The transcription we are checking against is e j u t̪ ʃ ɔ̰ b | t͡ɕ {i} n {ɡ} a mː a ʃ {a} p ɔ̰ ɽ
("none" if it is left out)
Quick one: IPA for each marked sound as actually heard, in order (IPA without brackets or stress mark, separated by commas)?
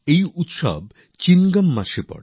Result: i, ɡ, e